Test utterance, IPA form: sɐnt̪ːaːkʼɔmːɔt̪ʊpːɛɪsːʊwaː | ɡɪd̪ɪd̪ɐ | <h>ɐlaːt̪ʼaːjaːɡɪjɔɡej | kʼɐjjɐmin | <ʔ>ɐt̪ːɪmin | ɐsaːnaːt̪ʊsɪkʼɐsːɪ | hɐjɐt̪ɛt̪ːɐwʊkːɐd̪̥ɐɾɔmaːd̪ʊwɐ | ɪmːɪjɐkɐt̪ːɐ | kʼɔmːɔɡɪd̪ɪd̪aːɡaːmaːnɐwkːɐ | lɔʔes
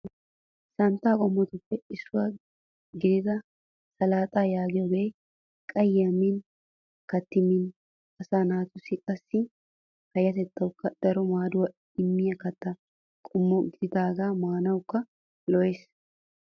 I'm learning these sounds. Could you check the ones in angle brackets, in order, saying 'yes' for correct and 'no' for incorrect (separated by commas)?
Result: no, no